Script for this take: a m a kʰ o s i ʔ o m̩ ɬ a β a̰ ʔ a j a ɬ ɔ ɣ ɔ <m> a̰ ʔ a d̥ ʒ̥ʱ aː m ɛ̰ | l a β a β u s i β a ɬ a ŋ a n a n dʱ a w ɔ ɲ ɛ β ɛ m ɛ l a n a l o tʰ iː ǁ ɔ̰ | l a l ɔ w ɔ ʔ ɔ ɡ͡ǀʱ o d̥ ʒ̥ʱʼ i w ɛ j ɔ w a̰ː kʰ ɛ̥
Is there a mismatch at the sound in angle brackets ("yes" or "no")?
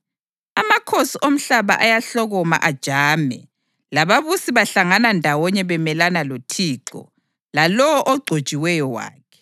no